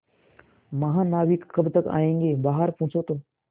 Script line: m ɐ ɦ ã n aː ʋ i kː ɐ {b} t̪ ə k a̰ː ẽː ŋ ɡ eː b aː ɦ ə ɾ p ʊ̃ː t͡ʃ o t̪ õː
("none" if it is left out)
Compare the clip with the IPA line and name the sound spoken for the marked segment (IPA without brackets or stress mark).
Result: b